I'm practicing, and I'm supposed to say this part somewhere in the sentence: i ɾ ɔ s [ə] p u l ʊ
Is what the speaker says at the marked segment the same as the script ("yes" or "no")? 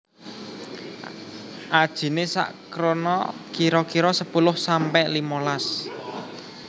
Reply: yes